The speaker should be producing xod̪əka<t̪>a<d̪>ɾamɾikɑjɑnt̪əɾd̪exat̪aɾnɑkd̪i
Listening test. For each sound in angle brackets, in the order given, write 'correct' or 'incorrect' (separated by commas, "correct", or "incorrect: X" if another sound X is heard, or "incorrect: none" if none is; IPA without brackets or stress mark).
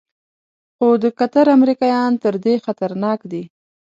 correct, incorrect: none